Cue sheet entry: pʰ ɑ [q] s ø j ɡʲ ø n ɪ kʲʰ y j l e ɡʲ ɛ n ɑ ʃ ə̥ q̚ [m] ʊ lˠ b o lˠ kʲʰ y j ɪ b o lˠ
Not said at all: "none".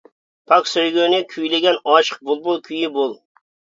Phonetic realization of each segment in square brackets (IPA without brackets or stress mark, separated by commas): k, b